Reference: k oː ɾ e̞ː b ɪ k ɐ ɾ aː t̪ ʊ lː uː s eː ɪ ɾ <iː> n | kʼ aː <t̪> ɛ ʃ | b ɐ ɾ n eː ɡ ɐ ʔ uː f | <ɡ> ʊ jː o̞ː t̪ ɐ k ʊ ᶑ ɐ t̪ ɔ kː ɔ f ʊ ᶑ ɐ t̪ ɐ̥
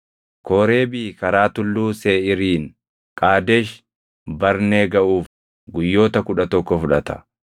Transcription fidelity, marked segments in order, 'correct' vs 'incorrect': correct, incorrect: d̪, correct

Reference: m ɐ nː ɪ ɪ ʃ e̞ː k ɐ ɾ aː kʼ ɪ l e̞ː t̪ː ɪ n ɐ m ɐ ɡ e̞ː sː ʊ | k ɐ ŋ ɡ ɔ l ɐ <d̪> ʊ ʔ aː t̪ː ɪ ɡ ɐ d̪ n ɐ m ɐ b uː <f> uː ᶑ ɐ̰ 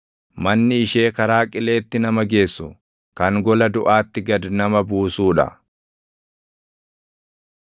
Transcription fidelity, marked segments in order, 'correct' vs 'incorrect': correct, incorrect: s

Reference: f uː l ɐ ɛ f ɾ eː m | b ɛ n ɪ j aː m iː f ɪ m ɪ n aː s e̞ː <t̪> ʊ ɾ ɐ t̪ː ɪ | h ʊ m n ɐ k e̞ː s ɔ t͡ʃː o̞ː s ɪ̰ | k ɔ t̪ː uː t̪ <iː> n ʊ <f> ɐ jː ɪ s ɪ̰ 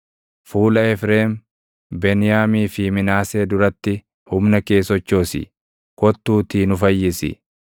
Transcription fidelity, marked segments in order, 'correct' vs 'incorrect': incorrect: d̪, correct, correct

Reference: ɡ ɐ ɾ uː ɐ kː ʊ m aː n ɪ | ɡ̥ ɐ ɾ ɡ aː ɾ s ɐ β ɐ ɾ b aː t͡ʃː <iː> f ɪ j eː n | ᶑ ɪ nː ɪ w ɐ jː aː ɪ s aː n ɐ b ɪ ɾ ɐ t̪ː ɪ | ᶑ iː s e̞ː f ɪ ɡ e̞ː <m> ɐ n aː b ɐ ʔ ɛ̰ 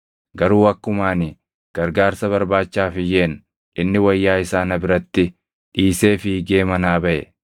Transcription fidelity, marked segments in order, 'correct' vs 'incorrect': incorrect: aː, correct

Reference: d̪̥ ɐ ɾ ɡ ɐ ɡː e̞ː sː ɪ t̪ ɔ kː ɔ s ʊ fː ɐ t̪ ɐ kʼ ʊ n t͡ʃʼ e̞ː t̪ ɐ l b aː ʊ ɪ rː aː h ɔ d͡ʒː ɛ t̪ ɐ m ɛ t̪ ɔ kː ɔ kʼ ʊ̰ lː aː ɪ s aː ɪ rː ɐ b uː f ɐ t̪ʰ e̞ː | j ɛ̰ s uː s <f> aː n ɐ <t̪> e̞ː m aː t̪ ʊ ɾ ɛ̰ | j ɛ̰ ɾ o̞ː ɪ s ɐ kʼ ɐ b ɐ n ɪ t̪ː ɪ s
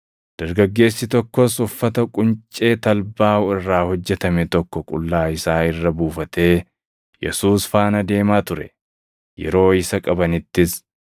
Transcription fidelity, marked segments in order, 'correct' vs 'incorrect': correct, incorrect: d̪

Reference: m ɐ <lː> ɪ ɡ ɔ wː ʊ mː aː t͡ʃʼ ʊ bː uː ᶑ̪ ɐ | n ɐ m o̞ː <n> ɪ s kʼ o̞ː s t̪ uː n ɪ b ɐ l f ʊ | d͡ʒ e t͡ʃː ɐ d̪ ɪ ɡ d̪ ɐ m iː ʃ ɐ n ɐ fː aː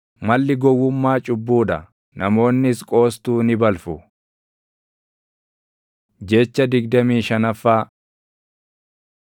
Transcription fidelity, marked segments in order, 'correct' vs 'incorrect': correct, incorrect: nː

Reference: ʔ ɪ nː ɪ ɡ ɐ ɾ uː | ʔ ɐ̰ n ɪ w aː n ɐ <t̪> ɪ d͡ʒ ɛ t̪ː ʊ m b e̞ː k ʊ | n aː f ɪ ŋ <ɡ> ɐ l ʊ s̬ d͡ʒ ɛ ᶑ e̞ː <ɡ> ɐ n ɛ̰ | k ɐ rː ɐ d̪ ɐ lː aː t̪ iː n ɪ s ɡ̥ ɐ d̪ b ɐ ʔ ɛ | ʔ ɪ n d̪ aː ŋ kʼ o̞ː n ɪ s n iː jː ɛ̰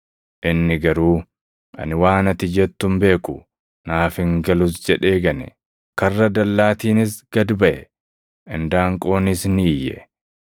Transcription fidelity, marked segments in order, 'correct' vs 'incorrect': correct, correct, correct

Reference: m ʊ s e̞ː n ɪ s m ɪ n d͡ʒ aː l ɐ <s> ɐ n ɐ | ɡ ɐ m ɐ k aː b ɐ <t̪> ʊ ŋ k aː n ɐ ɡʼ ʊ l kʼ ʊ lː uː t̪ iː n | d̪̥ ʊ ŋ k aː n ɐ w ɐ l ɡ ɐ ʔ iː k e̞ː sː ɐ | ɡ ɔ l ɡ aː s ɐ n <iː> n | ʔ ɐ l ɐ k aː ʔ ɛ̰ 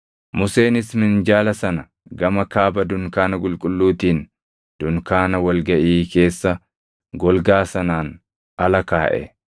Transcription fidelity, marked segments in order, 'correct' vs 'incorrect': correct, incorrect: d̪, incorrect: aː

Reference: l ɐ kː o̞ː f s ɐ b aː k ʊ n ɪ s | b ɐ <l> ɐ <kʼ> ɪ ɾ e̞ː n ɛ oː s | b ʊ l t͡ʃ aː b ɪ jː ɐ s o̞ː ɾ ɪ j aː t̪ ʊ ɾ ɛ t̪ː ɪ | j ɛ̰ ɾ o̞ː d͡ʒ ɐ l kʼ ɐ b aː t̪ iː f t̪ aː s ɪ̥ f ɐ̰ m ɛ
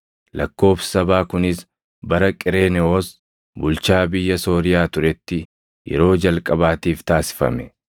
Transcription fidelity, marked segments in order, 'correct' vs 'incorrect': incorrect: ɾ, correct

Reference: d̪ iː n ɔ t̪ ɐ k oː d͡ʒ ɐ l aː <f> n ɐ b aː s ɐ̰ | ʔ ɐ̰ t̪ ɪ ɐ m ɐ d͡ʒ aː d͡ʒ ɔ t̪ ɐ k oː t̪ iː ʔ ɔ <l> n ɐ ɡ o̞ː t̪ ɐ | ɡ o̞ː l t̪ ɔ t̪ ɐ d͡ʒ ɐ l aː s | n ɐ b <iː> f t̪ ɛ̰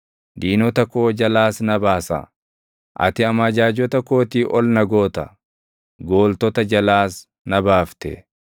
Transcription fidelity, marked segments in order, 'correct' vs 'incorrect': incorrect: s, correct, incorrect: aː

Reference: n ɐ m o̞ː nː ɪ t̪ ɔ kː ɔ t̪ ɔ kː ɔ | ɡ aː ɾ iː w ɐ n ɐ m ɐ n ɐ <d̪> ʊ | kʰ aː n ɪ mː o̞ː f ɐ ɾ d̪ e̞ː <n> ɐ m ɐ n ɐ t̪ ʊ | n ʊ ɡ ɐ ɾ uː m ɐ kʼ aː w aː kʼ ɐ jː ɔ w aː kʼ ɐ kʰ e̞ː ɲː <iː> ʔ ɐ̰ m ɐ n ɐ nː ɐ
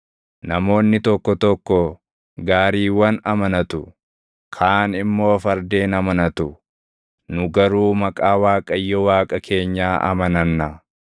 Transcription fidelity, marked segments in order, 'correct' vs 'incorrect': incorrect: t̪, correct, incorrect: aː

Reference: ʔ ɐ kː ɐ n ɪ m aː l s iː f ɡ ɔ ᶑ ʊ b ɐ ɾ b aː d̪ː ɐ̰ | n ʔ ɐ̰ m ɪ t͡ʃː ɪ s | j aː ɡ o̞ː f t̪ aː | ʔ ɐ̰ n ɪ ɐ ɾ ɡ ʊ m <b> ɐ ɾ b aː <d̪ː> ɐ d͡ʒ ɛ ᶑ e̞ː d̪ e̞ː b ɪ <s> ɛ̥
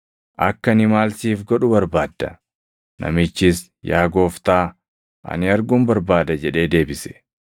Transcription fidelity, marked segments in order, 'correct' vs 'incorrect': correct, incorrect: d̪, correct

